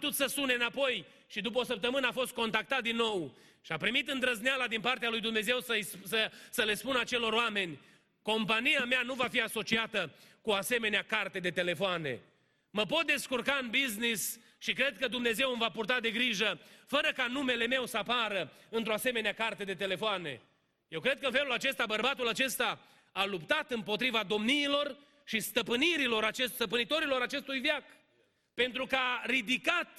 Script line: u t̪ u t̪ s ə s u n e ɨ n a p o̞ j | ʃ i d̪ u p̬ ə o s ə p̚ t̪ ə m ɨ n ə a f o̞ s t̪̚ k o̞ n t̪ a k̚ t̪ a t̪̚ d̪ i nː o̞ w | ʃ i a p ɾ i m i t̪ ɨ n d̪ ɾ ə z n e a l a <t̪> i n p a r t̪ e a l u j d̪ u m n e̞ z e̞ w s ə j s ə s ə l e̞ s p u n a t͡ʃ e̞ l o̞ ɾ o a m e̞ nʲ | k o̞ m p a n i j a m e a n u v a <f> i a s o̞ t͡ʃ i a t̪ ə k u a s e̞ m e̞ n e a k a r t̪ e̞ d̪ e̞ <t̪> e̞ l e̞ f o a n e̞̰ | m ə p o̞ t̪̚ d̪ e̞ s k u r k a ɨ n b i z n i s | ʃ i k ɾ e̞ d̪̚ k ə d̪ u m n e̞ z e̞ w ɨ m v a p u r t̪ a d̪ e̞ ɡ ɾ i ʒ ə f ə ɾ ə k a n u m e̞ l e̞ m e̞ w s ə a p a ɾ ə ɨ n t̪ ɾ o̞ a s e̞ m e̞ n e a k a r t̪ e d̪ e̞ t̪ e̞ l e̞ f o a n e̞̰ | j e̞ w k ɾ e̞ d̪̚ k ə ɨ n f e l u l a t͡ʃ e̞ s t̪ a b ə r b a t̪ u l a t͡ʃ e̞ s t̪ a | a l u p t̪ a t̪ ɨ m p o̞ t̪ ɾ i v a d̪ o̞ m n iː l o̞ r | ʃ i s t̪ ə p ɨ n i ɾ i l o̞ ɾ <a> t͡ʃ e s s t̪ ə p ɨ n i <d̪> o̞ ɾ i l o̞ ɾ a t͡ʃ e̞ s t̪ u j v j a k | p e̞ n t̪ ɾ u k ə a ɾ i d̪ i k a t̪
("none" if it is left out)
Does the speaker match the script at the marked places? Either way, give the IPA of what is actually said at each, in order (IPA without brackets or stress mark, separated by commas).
d̪, f, t̪, a, t̪